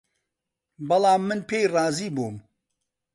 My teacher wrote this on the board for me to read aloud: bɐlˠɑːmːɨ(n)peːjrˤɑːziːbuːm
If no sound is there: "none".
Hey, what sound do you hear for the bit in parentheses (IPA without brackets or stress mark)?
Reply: n